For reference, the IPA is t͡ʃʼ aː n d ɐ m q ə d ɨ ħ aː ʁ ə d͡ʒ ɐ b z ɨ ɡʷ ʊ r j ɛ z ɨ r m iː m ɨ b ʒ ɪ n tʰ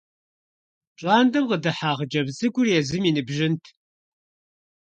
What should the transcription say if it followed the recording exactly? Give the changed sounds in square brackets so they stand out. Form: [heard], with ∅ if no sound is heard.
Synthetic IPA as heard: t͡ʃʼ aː n d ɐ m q ə d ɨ ħ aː ʁ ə d͡ʒ ɐ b z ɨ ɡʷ ʊ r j ɛ z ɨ [∅] m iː [n] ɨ b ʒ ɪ n tʰ